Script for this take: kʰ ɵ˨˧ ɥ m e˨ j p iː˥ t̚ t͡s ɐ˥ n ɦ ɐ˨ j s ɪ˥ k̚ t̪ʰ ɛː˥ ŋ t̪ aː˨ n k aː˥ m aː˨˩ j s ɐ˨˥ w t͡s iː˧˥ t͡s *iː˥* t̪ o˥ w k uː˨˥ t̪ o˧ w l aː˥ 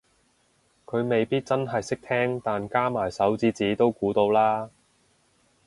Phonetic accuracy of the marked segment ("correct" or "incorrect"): incorrect